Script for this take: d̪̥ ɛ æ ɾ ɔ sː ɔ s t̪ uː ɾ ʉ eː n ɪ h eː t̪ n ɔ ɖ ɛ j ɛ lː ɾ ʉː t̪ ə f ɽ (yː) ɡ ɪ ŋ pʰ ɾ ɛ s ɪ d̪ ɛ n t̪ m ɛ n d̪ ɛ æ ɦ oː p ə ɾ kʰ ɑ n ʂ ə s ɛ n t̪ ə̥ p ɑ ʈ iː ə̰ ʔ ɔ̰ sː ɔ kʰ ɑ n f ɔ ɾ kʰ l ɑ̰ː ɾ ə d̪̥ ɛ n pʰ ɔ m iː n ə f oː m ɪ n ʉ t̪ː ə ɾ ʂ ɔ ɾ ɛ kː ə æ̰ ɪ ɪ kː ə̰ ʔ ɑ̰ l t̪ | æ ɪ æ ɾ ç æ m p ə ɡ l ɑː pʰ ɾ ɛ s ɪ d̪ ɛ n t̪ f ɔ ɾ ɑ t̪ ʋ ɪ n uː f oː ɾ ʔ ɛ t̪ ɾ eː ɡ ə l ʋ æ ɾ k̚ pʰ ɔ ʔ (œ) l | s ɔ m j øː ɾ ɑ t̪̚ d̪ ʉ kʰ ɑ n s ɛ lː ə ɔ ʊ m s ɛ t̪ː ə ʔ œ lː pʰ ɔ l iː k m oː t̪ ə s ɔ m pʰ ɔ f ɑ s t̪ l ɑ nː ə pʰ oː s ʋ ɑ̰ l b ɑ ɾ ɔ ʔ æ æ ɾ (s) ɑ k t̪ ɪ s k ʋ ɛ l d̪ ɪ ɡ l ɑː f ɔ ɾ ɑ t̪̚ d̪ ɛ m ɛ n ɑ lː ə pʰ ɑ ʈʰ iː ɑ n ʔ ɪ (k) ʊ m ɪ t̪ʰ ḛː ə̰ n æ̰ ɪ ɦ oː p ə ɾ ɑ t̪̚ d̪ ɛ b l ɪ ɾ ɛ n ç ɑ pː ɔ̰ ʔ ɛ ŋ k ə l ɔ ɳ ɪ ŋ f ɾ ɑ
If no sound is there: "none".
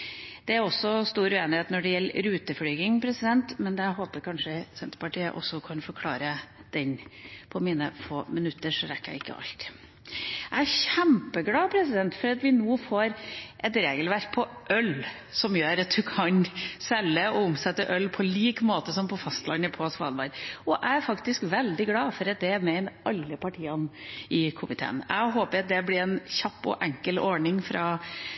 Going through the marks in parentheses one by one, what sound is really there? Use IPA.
yː, œ, f, kʰ

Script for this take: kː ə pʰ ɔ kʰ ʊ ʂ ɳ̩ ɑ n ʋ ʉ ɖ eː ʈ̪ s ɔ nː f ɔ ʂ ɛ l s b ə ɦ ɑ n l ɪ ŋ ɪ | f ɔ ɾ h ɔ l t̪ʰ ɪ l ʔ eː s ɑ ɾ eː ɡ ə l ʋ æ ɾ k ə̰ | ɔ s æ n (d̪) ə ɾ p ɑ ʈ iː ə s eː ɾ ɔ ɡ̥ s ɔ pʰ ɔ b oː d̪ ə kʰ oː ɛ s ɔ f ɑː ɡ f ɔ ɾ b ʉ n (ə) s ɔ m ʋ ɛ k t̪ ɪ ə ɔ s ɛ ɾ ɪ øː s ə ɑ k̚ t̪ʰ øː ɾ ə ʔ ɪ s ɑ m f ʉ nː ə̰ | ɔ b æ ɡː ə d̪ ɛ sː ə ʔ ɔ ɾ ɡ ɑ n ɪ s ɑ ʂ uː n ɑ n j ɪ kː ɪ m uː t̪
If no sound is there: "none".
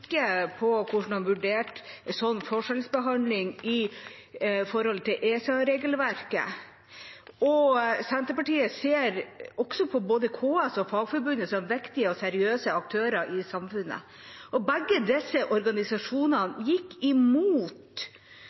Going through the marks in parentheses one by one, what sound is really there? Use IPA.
t̪, ə

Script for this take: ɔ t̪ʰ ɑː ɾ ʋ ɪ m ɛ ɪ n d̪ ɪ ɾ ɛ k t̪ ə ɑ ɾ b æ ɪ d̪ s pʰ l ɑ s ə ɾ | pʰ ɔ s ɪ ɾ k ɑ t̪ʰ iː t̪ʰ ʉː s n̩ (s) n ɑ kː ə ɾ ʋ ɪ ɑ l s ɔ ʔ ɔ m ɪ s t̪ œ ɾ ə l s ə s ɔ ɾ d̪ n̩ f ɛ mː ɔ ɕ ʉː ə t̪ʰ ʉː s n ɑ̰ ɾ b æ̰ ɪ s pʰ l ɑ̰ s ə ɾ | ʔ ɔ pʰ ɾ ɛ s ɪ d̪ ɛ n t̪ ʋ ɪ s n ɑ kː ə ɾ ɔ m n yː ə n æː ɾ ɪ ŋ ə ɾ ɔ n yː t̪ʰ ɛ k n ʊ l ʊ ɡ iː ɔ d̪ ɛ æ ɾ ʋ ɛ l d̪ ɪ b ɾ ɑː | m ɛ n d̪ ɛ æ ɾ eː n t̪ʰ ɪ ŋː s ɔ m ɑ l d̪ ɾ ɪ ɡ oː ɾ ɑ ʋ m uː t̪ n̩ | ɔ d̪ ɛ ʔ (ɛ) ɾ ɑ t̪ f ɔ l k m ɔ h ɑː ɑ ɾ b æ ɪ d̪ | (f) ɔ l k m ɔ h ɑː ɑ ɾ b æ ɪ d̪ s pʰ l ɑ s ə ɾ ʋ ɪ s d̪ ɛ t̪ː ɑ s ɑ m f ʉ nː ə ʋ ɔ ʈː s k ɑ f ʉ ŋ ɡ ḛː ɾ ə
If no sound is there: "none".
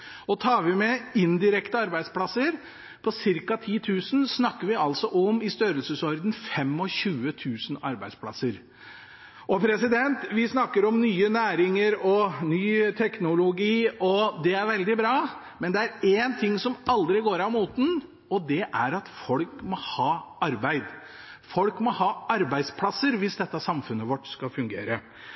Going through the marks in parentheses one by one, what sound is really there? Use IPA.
s, æ, f

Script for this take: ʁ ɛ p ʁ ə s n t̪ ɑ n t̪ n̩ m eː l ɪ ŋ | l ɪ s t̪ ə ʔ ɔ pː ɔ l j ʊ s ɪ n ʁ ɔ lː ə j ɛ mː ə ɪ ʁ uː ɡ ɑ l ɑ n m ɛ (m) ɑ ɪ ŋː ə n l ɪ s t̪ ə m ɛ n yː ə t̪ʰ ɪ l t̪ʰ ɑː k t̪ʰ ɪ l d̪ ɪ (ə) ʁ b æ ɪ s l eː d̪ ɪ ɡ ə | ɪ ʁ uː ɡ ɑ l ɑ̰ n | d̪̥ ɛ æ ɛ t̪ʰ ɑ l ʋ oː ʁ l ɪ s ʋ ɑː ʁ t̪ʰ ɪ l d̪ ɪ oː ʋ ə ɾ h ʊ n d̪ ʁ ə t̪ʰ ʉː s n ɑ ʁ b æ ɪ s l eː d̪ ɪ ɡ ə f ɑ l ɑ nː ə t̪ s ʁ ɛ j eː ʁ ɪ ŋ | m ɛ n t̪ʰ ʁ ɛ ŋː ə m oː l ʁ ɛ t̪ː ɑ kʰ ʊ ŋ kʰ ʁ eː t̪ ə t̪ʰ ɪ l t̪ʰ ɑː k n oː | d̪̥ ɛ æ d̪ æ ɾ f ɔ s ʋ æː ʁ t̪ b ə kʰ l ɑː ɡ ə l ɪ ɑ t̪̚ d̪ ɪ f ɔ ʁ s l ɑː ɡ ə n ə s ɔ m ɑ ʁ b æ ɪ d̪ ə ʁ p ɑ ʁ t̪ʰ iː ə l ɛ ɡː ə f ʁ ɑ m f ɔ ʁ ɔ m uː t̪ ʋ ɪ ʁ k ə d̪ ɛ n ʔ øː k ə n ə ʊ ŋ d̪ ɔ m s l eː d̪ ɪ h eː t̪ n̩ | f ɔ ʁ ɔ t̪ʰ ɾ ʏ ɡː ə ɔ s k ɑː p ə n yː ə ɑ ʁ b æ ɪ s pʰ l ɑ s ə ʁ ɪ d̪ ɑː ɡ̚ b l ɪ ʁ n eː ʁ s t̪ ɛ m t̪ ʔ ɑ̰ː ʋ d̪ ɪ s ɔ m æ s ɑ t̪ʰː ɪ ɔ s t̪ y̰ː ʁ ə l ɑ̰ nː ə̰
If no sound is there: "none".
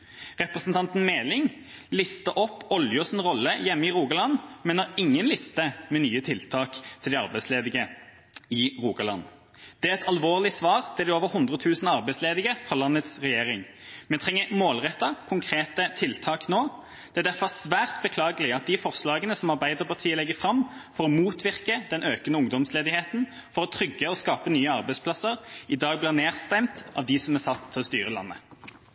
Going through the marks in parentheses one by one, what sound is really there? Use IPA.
n, ɑ

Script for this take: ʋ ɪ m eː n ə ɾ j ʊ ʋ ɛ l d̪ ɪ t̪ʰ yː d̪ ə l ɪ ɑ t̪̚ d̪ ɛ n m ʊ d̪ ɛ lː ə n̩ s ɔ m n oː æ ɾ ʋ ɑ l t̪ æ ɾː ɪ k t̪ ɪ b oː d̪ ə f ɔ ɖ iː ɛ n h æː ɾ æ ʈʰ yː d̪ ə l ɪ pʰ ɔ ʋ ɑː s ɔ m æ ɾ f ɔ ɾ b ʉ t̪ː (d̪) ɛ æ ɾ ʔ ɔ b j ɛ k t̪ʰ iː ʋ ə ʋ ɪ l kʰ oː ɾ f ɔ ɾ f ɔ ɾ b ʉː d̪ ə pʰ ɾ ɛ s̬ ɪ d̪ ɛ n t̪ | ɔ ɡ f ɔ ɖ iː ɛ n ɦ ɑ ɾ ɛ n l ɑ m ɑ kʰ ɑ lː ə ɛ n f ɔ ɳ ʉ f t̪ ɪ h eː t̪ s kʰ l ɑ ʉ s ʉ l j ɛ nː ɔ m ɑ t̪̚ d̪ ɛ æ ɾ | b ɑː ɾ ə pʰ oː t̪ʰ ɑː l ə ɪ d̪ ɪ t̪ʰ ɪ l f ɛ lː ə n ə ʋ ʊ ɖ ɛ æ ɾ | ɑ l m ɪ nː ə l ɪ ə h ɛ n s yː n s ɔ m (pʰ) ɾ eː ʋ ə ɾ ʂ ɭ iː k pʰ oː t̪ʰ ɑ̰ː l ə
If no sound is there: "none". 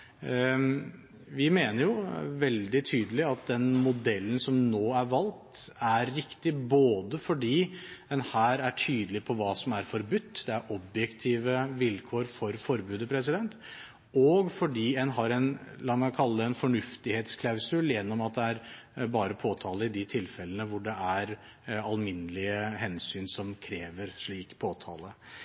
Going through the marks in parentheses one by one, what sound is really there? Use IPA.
d̪, kʰ

